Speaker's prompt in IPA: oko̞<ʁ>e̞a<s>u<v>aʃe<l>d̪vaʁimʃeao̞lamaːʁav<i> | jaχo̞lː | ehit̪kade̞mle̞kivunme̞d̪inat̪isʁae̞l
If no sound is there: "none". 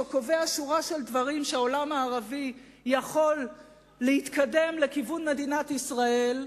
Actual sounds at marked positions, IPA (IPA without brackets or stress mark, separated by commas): v, ʃ, ʁ, l, i